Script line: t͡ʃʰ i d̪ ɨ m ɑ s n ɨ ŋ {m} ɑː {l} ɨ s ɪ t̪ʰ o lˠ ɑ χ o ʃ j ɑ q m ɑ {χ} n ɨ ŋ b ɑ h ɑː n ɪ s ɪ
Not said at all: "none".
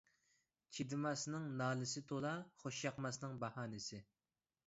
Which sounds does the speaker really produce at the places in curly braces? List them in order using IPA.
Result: n, l, s

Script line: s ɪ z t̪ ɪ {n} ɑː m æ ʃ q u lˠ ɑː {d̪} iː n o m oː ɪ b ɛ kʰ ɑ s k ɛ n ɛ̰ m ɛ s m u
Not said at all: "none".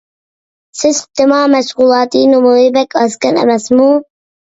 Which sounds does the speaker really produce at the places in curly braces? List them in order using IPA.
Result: m, t̪

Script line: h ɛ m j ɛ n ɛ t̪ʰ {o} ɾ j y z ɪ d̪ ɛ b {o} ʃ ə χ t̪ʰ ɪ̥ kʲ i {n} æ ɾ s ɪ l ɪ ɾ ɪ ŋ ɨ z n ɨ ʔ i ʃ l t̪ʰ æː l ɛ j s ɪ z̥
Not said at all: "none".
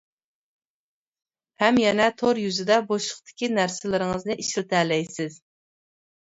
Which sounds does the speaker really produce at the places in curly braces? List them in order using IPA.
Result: o, o, n

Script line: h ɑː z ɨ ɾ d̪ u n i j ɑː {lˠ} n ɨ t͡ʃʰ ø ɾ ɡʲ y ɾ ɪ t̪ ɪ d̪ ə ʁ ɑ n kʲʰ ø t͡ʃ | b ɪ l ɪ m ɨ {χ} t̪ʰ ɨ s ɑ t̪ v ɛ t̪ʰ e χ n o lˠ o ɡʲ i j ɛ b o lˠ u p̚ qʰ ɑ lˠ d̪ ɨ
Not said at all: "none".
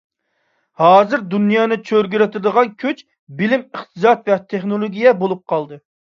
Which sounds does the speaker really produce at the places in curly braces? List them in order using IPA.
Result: none, χ

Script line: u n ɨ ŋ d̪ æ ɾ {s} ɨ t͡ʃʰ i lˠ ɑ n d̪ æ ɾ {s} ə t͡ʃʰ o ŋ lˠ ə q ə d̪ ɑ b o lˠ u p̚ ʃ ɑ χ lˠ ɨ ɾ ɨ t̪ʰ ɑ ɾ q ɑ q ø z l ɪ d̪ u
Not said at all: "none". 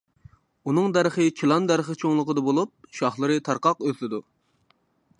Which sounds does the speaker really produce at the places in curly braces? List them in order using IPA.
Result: χ, χ

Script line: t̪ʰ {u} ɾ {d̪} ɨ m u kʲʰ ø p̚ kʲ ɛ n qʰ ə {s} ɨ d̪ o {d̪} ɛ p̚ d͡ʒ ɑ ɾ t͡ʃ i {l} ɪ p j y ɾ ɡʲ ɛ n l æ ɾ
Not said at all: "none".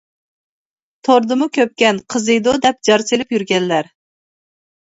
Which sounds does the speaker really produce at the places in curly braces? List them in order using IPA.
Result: o, d̪, z, d̪, l

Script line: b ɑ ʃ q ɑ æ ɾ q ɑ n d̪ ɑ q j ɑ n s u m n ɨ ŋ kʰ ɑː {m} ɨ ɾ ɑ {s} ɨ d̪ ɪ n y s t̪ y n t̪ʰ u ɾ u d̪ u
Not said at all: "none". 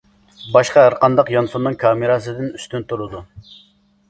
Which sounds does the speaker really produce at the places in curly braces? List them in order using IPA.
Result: m, s

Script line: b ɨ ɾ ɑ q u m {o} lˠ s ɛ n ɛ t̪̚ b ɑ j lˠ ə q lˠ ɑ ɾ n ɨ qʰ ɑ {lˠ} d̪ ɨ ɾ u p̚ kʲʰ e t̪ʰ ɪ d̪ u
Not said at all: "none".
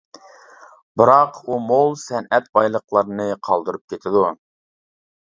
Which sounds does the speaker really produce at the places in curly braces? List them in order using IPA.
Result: o, lˠ

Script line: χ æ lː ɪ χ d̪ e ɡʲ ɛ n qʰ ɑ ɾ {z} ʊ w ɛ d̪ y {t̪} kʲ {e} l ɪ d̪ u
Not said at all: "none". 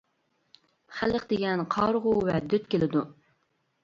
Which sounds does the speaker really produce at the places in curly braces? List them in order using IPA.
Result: ʁ, t̪, e

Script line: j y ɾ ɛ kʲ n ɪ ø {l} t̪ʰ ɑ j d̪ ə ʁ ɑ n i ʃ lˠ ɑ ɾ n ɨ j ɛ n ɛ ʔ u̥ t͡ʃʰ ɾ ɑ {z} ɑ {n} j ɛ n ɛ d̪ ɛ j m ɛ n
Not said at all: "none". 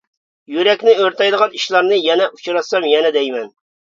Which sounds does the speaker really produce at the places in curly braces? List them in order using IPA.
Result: ɾ, s, m

